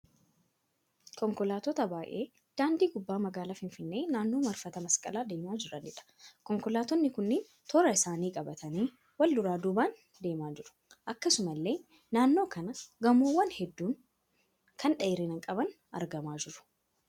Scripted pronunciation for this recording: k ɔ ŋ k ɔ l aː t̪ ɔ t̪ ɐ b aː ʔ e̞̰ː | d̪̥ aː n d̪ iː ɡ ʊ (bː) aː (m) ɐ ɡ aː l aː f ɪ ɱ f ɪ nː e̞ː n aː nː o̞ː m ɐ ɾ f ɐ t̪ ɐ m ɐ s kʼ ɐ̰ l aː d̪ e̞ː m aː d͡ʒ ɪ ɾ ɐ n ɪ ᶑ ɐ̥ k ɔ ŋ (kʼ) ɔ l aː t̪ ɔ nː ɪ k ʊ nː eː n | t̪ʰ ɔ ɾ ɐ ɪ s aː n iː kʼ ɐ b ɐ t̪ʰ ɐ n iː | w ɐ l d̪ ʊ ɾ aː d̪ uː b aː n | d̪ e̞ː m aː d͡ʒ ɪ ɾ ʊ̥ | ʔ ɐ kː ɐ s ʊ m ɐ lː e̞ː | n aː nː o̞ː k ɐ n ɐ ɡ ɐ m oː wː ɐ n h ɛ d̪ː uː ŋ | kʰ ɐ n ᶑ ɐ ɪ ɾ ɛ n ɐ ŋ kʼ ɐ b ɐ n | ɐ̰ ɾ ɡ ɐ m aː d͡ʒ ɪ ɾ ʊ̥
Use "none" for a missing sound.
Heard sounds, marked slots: bː, m, k

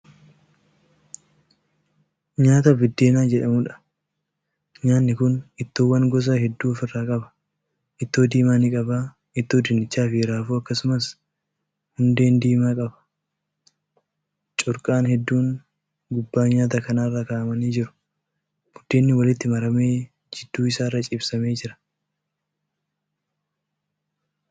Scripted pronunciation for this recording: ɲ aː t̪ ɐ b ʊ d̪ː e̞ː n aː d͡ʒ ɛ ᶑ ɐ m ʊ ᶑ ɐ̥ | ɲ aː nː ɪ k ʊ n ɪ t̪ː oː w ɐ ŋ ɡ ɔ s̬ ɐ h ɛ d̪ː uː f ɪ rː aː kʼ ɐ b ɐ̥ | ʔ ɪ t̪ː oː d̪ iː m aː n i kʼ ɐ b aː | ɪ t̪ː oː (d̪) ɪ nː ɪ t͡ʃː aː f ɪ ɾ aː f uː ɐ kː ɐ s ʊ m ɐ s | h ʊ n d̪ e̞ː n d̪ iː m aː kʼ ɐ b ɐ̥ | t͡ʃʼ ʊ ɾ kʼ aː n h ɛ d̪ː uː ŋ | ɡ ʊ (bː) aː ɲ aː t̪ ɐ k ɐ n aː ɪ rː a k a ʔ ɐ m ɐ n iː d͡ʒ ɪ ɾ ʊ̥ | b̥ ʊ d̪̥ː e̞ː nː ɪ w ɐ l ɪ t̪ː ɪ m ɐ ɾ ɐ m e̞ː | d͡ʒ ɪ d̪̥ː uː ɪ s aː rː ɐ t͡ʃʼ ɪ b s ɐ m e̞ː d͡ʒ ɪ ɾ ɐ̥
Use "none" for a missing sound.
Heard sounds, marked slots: d̪, bː

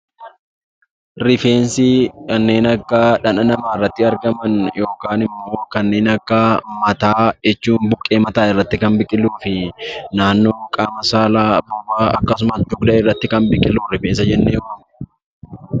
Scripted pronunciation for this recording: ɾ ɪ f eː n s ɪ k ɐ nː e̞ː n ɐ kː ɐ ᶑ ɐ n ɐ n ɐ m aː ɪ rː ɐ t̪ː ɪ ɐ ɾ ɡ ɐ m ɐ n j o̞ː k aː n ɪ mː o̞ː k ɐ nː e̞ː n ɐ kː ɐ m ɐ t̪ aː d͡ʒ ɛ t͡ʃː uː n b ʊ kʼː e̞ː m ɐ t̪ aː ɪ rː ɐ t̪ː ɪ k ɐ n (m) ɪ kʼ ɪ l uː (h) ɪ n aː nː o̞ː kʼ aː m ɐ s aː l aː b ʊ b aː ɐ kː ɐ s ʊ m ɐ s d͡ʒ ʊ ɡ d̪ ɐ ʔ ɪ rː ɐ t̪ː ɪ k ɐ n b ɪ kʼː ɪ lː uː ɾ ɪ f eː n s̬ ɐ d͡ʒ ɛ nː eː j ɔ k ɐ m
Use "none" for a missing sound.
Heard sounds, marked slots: b, f

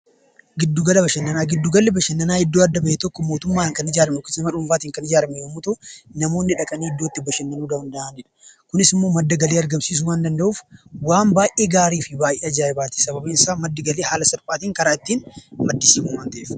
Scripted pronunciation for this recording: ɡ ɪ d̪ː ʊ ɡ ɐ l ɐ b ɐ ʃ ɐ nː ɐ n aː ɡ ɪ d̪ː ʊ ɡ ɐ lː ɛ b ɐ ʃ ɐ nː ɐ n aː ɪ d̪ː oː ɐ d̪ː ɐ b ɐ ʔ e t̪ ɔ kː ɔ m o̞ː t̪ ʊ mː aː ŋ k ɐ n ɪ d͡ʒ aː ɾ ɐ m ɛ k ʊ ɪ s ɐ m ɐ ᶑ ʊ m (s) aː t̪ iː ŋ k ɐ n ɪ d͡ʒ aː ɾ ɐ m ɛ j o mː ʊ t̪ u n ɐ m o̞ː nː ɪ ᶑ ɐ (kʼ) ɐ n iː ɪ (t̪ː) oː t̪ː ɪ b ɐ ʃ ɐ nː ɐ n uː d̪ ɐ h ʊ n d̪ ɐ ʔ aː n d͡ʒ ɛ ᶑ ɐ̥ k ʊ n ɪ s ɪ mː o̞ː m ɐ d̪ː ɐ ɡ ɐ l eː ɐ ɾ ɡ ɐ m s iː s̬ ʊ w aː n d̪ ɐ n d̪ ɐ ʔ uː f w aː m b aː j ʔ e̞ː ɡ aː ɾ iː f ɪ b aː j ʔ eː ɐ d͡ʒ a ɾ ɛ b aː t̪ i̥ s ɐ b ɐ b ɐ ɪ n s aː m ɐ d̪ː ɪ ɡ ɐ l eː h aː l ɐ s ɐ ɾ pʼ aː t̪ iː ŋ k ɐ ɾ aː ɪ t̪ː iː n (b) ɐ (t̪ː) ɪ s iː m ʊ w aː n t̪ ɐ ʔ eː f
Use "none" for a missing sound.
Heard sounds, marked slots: f, kʼ, d̪ː, m, d̪ː

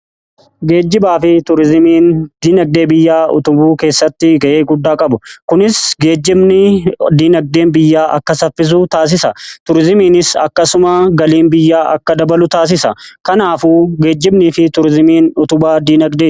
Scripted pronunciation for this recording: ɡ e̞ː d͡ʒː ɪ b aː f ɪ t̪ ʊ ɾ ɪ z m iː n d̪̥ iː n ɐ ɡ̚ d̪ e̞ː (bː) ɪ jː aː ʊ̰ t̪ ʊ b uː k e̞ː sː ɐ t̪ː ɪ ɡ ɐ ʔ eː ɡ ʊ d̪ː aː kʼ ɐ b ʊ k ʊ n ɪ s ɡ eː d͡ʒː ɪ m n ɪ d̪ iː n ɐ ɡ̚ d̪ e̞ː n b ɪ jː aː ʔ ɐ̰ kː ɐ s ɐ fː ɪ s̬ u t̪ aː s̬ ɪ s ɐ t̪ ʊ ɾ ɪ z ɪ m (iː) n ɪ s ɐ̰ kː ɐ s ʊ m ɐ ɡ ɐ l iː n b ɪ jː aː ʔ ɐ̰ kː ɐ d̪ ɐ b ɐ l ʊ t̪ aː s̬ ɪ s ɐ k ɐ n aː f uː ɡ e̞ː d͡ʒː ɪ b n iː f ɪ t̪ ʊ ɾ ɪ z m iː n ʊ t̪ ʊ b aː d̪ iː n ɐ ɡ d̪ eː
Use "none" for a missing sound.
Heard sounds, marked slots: b, iː

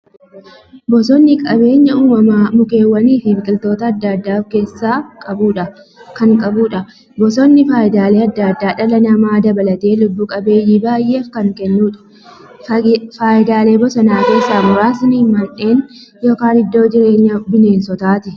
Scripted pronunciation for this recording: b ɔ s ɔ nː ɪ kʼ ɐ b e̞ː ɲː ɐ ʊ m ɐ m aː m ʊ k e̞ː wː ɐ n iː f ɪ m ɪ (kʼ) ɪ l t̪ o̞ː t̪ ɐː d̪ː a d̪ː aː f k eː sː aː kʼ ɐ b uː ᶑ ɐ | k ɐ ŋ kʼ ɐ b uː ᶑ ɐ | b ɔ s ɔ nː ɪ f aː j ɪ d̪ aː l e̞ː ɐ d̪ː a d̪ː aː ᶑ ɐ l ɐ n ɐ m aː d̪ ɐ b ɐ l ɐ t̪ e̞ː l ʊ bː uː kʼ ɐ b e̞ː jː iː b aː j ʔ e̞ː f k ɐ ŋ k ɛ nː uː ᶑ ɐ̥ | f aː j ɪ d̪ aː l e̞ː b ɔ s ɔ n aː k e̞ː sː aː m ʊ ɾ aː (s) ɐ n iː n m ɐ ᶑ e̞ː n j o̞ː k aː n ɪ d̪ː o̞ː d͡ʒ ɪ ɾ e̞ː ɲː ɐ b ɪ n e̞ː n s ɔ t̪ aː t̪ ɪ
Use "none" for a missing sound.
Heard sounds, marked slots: kʼ, s

